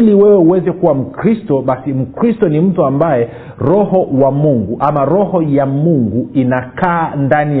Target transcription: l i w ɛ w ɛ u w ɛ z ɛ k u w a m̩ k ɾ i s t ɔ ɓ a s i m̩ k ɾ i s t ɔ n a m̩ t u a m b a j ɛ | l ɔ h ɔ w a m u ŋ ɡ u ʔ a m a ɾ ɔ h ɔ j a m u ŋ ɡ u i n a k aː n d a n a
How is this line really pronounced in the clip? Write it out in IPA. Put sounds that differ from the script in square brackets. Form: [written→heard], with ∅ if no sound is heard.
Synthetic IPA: l i w ɛ w ɛ u w ɛ z ɛ k u w a m̩ k ɾ i s t ɔ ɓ a s i m̩ k ɾ i s t ɔ n [a→i] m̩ t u a m b a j ɛ | [l→ɾ] ɔ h ɔ w a m u ŋ ɡ u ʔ a m a ɾ ɔ h ɔ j a m u ŋ ɡ u i n a k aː n d a n [a→i]